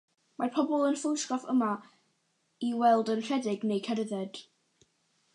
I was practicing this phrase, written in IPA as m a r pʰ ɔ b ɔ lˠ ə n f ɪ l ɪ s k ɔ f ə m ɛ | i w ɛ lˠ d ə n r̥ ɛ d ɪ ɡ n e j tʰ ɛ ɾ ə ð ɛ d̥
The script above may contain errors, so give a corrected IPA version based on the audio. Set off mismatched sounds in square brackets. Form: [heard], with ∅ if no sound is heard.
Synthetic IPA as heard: m a r pʰ ɔ b ɔ lˠ ə n f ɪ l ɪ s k ɔ f ə m [a] | i w ɛ lˠ d ə n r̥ ɛ d ɪ ɡ n e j [kʰ] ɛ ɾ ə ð ɛ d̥